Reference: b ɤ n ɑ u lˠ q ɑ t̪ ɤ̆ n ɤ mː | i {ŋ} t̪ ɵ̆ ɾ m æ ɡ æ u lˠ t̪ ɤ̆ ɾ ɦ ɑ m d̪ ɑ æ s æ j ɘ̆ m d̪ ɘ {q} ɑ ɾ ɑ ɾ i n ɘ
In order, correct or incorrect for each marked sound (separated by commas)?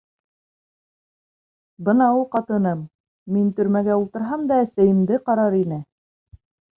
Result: incorrect, correct